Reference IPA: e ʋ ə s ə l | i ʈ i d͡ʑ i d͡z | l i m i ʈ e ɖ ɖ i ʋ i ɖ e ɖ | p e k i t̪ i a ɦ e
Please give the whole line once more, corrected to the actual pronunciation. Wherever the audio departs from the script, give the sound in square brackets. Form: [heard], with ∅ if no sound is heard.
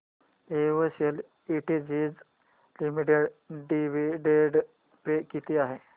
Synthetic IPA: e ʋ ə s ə l | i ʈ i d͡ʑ i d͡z | l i m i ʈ e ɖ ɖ i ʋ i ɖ e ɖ | p e k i t̪ i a ɦ e